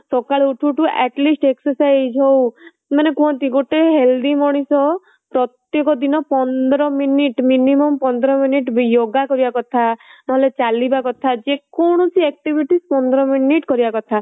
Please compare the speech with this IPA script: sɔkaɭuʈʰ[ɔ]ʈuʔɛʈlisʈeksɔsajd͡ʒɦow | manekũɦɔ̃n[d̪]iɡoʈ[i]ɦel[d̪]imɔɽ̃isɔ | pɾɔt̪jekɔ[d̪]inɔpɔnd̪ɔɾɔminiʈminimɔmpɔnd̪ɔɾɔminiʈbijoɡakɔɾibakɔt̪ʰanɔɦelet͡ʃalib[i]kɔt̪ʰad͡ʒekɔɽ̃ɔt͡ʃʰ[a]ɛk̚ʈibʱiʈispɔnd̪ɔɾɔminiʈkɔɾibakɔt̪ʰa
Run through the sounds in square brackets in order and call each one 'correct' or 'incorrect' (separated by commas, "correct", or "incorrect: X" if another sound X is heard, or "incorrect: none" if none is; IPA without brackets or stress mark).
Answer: incorrect: u, incorrect: t̪, incorrect: e, correct, correct, incorrect: a, incorrect: i